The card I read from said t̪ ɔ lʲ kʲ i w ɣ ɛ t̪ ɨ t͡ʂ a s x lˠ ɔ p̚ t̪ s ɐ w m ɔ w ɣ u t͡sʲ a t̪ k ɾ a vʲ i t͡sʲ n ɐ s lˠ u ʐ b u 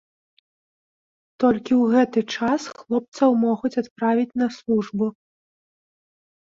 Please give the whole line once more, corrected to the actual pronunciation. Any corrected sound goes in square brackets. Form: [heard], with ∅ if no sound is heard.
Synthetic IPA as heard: t̪ ɔ lʲ kʲ i w ɣ ɛ t̪ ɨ t͡ʂ a s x lˠ ɔ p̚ t̪ s ɐ w m ɔ [∅] ɣ u t͡sʲ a t̪ [p] ɾ a vʲ i t͡sʲ n ɐ s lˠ u ʐ b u